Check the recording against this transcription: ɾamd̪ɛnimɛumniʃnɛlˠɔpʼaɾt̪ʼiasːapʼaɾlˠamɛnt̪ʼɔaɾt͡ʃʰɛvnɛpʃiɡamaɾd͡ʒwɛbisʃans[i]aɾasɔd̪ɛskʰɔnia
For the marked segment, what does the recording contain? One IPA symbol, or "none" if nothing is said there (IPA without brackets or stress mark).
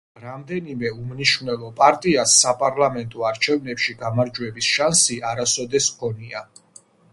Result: i